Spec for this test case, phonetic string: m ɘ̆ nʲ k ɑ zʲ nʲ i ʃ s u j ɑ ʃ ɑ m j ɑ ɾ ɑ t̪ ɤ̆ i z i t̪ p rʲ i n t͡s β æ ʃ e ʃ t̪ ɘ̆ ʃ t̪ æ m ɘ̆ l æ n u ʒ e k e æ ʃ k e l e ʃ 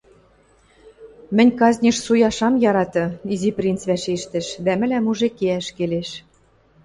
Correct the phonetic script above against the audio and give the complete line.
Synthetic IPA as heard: m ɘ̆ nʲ k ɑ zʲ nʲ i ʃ s u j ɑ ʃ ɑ m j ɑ ɾ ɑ t̪ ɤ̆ i z i p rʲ i n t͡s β æ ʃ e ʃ t̪ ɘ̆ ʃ d̪ æ m ɘ̆ l æ m u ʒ e k e æ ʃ k e l e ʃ